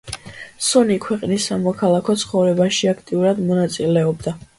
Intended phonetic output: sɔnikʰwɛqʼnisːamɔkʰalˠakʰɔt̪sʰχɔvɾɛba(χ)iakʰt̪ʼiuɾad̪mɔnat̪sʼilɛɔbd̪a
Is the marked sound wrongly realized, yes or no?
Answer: yes